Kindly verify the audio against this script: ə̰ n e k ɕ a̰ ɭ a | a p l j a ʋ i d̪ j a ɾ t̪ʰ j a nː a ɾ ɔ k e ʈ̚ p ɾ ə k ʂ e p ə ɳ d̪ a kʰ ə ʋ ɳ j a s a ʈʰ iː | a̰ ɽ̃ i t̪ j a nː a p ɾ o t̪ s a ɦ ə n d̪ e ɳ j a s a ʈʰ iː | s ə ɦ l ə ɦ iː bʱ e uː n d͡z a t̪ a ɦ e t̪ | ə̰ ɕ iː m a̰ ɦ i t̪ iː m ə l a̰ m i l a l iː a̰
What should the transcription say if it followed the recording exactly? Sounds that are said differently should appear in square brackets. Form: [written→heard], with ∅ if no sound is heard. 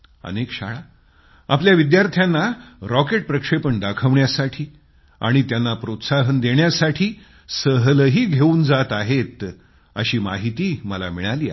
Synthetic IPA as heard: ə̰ n e k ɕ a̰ ɭ a | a p l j a ʋ i d̪ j a ɾ t̪ʰ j a nː a ɾ ɔ k e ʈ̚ p ɾ ə k ʂ e p ə ɳ d̪ a kʰ ə ʋ ɳ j a s a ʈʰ iː | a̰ ɽ̃ i t̪ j a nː a p ɾ o t̪ s a ɦ ə n d̪ e ɳ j a s a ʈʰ iː | s ə ɦ l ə ɦ iː [bʱ→ɡʱ] e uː n d͡z a t̪ a ɦ e t̪ | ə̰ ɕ iː m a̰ ɦ i t̪ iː m ə l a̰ m i [l→ɭ] a l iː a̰

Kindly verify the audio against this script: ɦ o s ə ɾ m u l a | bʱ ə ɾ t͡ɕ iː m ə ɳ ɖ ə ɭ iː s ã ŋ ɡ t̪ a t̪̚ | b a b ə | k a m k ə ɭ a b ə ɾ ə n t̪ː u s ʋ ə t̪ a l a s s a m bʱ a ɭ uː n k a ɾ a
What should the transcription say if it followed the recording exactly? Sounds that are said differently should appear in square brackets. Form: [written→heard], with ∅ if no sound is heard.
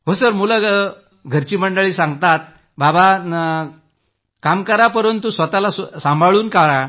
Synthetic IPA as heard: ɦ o s ə ɾ m u l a | [bʱ→ɡʱ] ə ɾ t͡ɕ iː m ə ɳ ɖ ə ɭ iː s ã ŋ ɡ t̪ a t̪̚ | b a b [ə→a] | k a m k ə [ɭ→ɾ] a [b→p] ə ɾ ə n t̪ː u s ʋ ə t̪ a l a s s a m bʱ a ɭ uː n k a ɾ a

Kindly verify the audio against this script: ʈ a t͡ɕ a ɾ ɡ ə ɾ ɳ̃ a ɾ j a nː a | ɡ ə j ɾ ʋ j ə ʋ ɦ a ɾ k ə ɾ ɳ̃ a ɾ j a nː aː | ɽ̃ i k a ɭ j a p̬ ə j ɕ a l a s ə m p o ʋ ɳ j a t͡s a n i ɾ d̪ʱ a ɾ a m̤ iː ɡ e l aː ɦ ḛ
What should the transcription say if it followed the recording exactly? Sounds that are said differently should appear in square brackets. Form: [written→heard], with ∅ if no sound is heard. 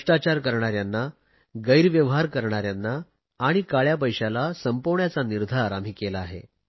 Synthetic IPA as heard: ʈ a t͡ɕ a ɾ [ɡ→k] ə ɾ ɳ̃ a ɾ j a nː a | ɡ ə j ɾ ʋ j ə ʋ ɦ a ɾ k ə ɾ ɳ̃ a ɾ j a nː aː | ɽ̃ i k a ɭ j a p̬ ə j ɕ a l a s ə m p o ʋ ɳ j a t͡s a n i ɾ d̪ʱ a ɾ a m̤ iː [ɡ→k] e l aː ɦ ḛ

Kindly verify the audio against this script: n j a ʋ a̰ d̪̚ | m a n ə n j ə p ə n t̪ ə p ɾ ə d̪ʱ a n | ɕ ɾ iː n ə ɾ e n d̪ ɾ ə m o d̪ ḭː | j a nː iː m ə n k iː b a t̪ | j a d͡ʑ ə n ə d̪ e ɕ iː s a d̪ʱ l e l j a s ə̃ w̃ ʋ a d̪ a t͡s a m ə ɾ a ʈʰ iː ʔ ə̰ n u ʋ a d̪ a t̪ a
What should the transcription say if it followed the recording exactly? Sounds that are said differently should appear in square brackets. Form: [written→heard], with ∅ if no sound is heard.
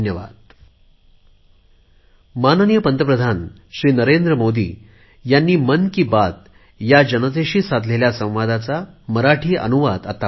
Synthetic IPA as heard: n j [a→ə] ʋ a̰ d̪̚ | m a n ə n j ə p ə n t̪ ə p ɾ ə d̪ʱ a n | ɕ ɾ iː n ə ɾ e n d̪ ɾ ə m o d̪ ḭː | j a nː iː m ə n k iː b a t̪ | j a d͡ʑ ə n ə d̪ e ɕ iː s a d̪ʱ l e l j a s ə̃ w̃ ʋ a d̪ a t͡s a m ə ɾ a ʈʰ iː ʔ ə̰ n u ʋ a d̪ a t̪ a

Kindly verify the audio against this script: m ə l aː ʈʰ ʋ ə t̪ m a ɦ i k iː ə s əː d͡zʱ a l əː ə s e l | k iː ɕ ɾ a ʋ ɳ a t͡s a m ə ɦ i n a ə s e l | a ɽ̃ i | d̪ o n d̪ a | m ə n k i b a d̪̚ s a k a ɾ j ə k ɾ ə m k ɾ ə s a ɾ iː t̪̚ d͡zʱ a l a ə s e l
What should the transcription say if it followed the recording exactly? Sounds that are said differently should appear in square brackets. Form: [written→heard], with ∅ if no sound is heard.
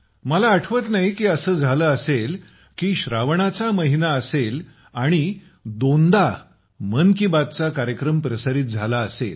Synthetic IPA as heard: m ə l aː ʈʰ ʋ ə t̪ [m→n] a ɦ i k iː ə s əː d͡zʱ a l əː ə s e l | k iː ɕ ɾ a ʋ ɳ a t͡s a m ə ɦ i n a ə s e l | a ɽ̃ i | d̪ o n d̪ a | m ə n k i b a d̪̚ [s→t͡s] a k a ɾ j ə k ɾ ə m [k→p] ɾ ə s a ɾ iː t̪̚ d͡zʱ a l a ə s e l

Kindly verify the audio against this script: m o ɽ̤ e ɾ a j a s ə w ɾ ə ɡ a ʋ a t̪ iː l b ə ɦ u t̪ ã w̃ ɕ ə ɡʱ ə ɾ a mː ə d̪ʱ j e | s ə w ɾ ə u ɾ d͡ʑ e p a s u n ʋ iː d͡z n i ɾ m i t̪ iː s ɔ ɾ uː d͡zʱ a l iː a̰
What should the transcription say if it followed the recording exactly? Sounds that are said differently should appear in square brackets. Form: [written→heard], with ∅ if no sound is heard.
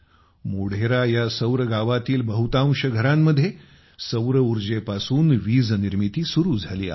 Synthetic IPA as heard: m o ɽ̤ e ɾ a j a s ə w ɾ ə ɡ a ʋ a t̪ iː l b ə ɦ u t̪ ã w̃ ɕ ə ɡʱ ə ɾ a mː ə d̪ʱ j e | s ə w ɾ ə u ɾ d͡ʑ e p a s [u→uː] n ʋ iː d͡z n i ɾ m i t̪ iː s [ɔ→u] ɾ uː d͡zʱ a l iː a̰

